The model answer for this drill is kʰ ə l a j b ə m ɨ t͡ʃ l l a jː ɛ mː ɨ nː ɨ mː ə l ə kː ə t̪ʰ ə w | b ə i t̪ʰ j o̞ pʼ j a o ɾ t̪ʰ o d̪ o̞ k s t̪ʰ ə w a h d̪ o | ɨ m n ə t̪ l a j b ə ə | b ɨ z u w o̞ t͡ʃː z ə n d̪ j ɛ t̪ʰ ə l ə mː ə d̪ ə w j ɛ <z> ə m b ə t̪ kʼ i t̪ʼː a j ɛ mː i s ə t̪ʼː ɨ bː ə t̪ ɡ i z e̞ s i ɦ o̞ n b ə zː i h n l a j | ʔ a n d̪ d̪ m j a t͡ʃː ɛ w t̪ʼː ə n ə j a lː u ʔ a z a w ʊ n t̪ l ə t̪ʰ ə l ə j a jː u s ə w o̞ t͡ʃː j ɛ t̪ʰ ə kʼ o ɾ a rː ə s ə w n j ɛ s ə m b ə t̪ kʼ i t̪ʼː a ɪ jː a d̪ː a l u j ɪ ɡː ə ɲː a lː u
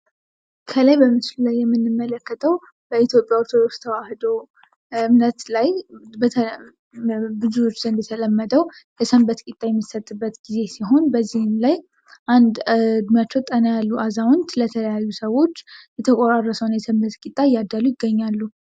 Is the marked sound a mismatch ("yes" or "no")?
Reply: yes